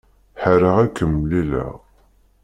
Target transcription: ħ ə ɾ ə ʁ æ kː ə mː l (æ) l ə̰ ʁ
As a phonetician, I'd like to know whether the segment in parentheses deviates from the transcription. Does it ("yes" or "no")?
yes